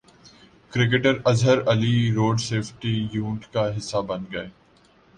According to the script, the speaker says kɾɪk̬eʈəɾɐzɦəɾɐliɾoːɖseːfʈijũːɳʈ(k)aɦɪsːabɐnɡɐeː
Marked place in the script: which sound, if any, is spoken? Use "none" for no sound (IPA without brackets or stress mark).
k